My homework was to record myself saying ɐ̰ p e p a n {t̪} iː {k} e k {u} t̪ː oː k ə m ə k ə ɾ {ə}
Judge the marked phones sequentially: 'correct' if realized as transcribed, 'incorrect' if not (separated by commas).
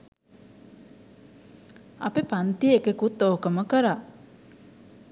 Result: correct, correct, correct, incorrect